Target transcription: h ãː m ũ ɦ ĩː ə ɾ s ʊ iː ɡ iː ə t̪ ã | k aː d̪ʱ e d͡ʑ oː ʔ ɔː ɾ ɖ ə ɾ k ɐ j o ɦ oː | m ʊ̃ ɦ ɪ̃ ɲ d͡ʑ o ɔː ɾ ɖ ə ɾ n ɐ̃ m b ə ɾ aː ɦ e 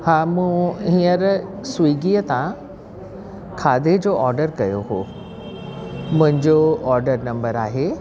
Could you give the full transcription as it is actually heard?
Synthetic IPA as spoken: h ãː m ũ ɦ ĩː ə ɾ s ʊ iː ɡ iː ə t̪ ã | kʰ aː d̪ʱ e d͡ʑ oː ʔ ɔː ɾ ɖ ə ɾ k ɐ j o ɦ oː | m ʊ̃ ɦ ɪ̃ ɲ d͡ʑ o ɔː ɾ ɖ ə ɾ n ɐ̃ m b ə ɾ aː ɦ e